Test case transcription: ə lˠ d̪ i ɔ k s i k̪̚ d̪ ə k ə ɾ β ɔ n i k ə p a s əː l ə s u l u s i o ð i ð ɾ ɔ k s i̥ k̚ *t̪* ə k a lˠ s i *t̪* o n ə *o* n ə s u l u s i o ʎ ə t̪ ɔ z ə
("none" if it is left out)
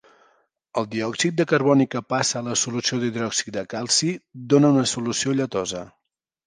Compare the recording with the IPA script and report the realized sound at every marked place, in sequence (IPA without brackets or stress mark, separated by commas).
d̪, d̪, u